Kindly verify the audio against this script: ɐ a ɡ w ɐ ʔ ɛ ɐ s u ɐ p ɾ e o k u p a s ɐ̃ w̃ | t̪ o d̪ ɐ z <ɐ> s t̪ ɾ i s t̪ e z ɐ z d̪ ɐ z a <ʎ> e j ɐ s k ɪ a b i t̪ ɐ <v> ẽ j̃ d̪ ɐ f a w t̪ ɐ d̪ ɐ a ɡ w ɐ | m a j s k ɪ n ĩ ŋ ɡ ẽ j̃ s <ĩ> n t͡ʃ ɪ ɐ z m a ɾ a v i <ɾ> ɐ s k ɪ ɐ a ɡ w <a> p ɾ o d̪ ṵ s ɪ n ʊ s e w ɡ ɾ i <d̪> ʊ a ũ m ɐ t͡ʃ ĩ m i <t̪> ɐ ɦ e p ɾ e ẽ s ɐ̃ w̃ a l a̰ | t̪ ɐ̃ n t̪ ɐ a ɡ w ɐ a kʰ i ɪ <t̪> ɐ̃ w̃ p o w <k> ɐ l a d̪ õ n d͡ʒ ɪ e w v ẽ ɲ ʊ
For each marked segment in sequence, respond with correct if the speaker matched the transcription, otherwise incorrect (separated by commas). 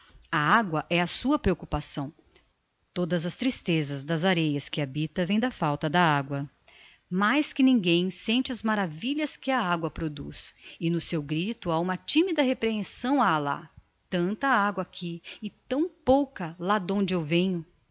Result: correct, incorrect, correct, incorrect, incorrect, incorrect, incorrect, incorrect, correct, correct